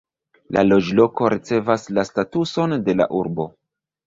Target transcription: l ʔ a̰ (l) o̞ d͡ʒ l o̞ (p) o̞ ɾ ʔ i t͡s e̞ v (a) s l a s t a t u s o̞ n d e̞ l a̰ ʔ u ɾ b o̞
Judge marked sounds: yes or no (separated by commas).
yes, no, yes